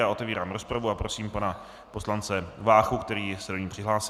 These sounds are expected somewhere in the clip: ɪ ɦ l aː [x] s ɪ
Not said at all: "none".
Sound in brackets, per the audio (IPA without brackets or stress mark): none